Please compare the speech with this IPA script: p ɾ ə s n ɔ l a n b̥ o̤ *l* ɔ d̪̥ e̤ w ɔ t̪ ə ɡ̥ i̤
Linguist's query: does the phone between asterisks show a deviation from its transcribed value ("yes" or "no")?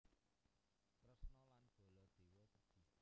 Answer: no